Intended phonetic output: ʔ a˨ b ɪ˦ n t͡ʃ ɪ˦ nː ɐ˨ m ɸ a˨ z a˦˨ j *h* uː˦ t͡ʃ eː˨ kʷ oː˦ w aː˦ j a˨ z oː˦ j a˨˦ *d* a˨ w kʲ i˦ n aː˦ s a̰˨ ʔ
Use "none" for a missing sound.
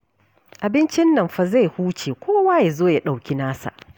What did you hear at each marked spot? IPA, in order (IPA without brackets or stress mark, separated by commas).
h, ɗ